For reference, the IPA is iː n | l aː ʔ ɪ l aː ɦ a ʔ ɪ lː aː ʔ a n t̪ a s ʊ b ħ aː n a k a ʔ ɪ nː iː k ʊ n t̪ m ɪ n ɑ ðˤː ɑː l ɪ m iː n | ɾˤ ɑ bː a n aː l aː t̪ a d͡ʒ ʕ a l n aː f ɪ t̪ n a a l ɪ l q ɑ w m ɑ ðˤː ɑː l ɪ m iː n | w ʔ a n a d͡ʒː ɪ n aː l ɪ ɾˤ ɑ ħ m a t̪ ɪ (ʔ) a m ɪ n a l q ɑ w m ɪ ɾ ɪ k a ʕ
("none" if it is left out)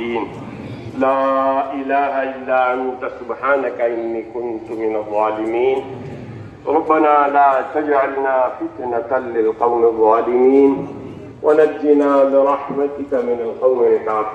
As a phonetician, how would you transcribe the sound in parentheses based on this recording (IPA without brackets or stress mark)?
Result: k